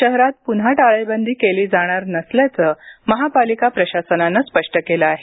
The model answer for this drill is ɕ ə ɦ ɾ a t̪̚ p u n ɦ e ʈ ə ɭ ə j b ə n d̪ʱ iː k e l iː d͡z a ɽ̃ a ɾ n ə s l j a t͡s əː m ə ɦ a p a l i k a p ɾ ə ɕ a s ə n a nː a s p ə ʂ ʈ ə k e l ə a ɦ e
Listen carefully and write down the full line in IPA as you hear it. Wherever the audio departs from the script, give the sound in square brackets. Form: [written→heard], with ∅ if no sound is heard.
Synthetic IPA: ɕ ə ɦ ɾ a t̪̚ p u n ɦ [e→a] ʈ [ə→a] ɭ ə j b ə n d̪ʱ iː k e l iː d͡z a ɽ̃ a ɾ n ə s l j a t͡s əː m ə ɦ a p a l i k a p ɾ ə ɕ a s ə n a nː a s p ə ʂ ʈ ə k e l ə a ɦ e